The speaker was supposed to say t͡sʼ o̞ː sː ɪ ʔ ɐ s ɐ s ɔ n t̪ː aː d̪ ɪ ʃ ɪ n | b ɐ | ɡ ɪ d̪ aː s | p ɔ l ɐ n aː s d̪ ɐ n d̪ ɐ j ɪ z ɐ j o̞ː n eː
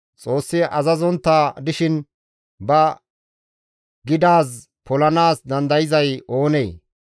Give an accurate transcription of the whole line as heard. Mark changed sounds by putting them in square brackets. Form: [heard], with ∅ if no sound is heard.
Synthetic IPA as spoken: t͡sʼ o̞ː sː ɪ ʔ ɐ [z] ɐ [z] ɔ n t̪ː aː d̪ ɪ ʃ ɪ n | b ɐ | ɡ ɪ d̪ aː s | p ɔ l ɐ n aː s d̪ ɐ n d̪ ɐ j ɪ z ɐ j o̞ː n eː

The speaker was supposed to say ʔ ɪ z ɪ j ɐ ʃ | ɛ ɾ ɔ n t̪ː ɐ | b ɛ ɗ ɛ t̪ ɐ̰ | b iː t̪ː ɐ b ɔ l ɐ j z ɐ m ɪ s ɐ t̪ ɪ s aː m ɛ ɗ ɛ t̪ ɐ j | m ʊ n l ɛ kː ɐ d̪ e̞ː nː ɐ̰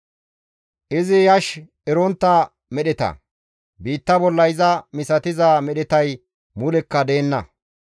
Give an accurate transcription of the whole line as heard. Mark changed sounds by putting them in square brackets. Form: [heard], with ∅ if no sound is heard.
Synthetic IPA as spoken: ʔ ɪ z ɪ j ɐ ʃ | ɛ ɾ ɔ n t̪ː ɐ | [m] ɛ ɗ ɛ t̪ ɐ̰ | b iː t̪ː ɐ b ɔ [lː] ɐ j z ɐ m ɪ s ɐ t̪ ɪ [z] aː m ɛ ɗ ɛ t̪ ɐ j | m ʊ [∅] l ɛ kː ɐ d̪ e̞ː nː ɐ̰

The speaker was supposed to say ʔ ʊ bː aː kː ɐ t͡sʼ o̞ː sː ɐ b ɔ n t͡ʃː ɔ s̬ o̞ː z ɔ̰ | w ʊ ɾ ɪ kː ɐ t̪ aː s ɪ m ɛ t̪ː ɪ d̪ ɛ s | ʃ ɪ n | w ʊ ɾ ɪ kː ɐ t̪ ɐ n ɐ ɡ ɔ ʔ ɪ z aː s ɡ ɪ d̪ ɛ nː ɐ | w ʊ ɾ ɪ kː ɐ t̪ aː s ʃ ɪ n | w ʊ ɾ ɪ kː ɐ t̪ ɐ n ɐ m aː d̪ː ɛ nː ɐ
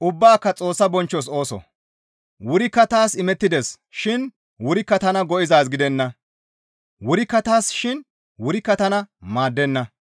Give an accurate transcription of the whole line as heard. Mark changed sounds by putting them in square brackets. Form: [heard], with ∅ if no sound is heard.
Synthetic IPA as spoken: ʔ ʊ bː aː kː ɐ t͡sʼ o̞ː sː ɐ b ɔ n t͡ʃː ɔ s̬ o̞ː [s] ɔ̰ | w ʊ ɾ ɪ kː ɐ t̪ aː s ɪ m ɛ t̪ː ɪ d̪ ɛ s | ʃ ɪ n | w ʊ ɾ ɪ kː ɐ t̪ ɐ n ɐ ɡ ɔ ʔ ɪ z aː s ɡ ɪ d̪ ɛ nː ɐ | w ʊ ɾ ɪ kː ɐ t̪ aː s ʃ ɪ n | w ʊ ɾ ɪ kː ɐ t̪ ɐ n ɐ m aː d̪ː ɛ nː ɐ

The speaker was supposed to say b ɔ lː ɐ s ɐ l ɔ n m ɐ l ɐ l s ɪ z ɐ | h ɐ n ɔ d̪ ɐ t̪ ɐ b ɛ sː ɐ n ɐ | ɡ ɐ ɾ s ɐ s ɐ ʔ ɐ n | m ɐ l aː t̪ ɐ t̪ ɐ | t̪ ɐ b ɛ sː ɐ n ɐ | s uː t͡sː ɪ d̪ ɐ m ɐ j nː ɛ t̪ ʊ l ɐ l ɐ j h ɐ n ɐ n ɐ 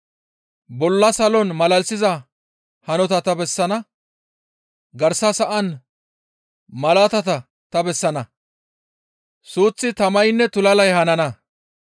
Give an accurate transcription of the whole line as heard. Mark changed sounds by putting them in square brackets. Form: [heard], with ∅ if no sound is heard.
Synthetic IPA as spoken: b ɔ lː ɐ s ɐ l ɔ n m ɐ l ɐ l s ɪ z ɐ | h ɐ n ɔ [t̪] ɐ t̪ ɐ b ɛ sː ɐ n ɐ | ɡ ɐ ɾ s ɐ s ɐ ʔ ɐ n | m ɐ l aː t̪ ɐ t̪ ɐ | t̪ ɐ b ɛ sː ɐ n ɐ | s uː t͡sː ɪ [t̪] ɐ m ɐ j nː ɛ t̪ ʊ l ɐ l ɐ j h ɐ n ɐ n ɐ

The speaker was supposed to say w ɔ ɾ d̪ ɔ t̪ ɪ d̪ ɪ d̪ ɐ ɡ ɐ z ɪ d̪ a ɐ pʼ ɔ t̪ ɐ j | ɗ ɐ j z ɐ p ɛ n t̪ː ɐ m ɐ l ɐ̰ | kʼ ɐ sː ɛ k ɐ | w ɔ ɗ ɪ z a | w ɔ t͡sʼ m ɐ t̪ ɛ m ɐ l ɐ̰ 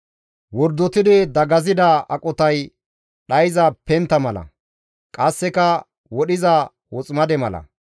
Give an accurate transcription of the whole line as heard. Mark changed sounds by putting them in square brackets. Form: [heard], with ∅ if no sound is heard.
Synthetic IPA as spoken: w ɔ ɾ d̪ ɔ t̪ ɪ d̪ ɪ d̪ ɐ ɡ ɐ z ɪ d̪ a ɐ [kʼ] ɔ t̪ ɐ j | ɗ ɐ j z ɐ p ɛ n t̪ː ɐ m ɐ l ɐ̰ | kʼ ɐ sː ɛ k ɐ | w ɔ ɗ ɪ z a | w ɔ t͡sʼ m ɐ [d̪] ɛ m ɐ l ɐ̰

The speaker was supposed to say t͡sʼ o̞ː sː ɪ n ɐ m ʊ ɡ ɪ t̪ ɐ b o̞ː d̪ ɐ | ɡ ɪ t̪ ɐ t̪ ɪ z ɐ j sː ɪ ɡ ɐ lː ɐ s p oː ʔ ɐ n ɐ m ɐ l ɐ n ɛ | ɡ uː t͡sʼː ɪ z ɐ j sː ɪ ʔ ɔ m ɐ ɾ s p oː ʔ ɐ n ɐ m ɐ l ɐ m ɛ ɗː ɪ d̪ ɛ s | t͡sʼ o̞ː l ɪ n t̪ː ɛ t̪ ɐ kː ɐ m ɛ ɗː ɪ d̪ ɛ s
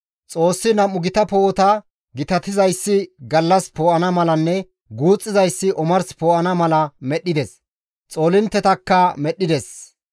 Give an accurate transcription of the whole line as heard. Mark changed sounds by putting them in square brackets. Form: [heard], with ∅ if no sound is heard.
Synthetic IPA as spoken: t͡sʼ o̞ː sː ɪ n ɐ m ʊ ɡ ɪ t̪ ɐ [p] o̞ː [t̪] ɐ | ɡ ɪ t̪ ɐ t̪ ɪ z ɐ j sː ɪ ɡ ɐ lː ɐ s p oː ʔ ɐ n ɐ m ɐ l ɐ [nː] ɛ | ɡ uː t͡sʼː ɪ z ɐ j sː ɪ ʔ ɔ m ɐ ɾ s p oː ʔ ɐ n ɐ m ɐ l ɐ m ɛ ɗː ɪ d̪ ɛ s | t͡sʼ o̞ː l ɪ n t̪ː ɛ t̪ ɐ kː ɐ m ɛ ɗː ɪ d̪ ɛ s

